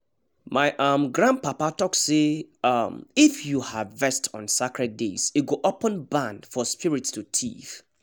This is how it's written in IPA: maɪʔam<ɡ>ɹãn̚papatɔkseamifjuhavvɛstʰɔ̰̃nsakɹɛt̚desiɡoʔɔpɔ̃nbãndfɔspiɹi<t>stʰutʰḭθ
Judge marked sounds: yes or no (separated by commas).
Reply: yes, yes